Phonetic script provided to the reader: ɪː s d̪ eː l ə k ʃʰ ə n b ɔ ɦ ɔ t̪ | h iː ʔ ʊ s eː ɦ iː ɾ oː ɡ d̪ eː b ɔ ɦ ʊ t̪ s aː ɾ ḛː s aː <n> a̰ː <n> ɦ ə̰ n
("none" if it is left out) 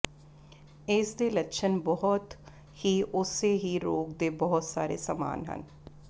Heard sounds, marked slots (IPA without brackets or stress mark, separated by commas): m, n